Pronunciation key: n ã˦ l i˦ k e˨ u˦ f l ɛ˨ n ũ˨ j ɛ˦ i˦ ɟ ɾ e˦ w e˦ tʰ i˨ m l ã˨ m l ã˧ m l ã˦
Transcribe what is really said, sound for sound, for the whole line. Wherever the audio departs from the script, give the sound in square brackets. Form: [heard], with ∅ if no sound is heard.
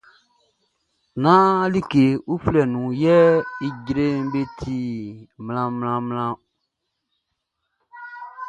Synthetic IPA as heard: n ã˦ l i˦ k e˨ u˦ f l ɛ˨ n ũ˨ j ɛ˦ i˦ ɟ ɾ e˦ [b] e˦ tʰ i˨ m l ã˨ m l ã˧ m l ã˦